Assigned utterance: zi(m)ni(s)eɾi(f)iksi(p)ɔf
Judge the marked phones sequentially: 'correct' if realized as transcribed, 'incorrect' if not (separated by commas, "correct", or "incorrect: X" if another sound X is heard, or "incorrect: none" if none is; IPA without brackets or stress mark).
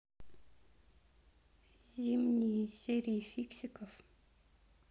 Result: correct, correct, correct, incorrect: k